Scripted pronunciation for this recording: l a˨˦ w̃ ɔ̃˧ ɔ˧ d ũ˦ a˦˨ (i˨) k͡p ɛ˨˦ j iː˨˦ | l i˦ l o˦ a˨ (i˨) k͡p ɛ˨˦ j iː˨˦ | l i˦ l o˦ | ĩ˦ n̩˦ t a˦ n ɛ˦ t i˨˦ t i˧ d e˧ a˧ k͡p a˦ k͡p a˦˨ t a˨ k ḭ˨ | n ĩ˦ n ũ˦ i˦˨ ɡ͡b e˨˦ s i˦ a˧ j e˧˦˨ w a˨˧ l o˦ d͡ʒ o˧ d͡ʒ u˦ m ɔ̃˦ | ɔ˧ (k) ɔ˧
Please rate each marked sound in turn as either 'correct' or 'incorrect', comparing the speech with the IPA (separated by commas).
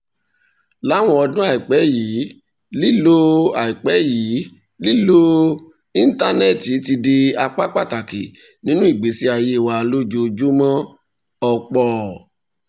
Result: correct, correct, incorrect